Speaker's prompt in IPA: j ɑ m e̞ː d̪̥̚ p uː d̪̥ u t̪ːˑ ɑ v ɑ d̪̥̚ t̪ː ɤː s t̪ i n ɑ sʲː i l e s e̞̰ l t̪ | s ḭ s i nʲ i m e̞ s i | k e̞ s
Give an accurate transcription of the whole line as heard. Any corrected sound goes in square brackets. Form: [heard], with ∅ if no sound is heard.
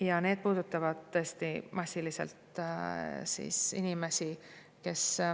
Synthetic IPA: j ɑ [n] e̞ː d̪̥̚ p uː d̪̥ u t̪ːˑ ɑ v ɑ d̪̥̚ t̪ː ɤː s t̪ i [m] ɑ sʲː i l [i] s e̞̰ l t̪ | s ḭ s i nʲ i m e̞ s i | k e̞ s